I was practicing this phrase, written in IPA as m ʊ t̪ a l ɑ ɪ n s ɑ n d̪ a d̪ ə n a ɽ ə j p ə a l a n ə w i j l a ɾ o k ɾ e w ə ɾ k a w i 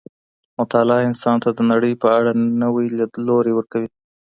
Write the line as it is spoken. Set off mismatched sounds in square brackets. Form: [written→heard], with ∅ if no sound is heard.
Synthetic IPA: m ʊ t̪ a l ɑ ɪ n s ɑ n [d̪→t̪] a d̪ ə n a ɽ ə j p ə a [l→ɽ] a n ə w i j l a [ɾ→l] o [k→∅] ɾ e w ə ɾ k a w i